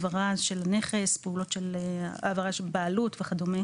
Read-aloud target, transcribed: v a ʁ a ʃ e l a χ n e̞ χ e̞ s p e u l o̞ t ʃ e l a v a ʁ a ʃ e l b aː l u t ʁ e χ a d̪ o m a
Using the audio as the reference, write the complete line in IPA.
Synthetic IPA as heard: v a ʁ a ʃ e l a n e̞ χ e̞ s p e u l o̞ t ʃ e l a v a ʁ a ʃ e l b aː l u t v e χ a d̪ o m e